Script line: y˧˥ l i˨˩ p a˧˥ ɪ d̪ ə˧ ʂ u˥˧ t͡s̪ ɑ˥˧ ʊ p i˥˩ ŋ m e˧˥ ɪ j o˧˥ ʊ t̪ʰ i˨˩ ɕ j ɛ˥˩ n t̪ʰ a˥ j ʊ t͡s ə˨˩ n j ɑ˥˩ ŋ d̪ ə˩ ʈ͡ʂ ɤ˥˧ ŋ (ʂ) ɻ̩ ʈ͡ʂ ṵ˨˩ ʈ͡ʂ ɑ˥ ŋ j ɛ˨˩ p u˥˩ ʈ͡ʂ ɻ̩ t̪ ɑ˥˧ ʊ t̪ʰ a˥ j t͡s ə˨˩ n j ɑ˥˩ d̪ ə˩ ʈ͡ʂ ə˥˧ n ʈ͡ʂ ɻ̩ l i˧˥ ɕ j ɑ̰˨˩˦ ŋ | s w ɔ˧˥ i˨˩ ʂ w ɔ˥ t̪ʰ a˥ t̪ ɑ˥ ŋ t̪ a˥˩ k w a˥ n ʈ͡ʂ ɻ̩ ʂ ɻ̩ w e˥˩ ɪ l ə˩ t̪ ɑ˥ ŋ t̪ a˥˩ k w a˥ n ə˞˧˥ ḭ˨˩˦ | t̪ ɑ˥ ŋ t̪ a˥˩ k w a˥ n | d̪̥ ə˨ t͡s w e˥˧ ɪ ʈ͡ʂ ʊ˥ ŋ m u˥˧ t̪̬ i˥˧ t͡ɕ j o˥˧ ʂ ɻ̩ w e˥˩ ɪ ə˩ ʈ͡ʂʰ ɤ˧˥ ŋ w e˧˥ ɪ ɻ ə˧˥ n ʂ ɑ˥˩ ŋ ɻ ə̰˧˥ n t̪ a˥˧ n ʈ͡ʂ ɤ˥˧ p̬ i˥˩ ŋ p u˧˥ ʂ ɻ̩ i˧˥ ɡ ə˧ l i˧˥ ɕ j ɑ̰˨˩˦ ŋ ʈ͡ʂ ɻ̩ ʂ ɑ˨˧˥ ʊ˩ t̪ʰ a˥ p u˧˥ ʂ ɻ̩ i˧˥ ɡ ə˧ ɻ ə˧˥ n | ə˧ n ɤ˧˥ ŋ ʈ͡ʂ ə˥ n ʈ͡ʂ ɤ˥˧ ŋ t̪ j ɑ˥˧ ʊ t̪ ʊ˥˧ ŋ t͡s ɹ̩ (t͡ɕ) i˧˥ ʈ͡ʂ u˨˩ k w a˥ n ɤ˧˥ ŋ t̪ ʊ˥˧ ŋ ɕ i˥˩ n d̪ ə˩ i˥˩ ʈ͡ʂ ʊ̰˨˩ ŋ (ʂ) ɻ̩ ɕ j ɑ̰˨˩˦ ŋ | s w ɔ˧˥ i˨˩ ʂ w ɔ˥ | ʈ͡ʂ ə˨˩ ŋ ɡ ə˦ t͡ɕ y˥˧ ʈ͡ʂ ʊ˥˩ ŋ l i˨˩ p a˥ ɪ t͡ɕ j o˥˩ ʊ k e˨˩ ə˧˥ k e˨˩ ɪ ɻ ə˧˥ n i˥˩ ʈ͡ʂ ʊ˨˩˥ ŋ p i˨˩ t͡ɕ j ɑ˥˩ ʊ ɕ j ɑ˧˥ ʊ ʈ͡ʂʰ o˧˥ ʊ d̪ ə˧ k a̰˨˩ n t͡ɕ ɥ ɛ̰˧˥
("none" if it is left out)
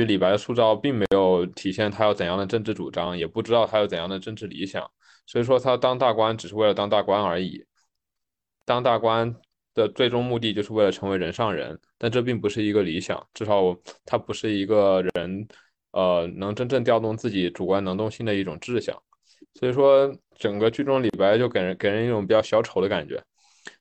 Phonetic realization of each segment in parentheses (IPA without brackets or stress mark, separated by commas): ʈ͡ʂ, t͡ɕ, ʈ͡ʂ